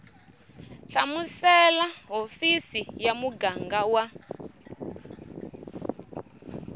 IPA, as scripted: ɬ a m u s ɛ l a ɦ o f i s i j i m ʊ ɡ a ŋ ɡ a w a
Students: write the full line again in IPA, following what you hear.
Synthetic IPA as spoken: ɬ a m u s ɛ l a ɦ o f i s i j a m u ɡ a ŋ ɡ a w a